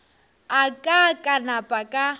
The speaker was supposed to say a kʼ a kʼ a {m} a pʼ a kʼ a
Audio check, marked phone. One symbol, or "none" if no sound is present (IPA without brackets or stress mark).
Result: n